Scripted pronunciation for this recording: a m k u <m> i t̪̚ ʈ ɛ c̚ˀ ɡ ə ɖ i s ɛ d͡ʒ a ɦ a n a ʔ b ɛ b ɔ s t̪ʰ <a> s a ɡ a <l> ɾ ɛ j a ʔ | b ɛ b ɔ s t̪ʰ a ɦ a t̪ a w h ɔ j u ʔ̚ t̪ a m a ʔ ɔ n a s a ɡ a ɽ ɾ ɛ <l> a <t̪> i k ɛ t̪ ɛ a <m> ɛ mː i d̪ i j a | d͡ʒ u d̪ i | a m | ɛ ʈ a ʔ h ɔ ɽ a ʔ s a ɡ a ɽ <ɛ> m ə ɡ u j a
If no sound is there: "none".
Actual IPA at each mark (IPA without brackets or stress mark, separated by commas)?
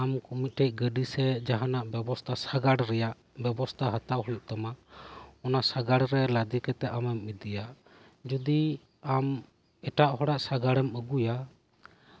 m, a, ɽ, l, d̪, m, ɛ